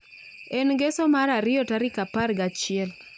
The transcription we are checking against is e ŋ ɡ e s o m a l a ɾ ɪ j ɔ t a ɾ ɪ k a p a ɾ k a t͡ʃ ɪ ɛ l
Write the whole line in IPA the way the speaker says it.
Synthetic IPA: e n ɡ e s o m a ɾ a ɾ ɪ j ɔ t a ɾ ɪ k a p a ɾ ɡ a t͡ʃ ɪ ɛ l